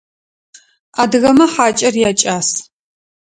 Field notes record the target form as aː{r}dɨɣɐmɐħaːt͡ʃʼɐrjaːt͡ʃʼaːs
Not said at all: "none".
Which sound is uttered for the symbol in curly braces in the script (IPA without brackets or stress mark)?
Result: none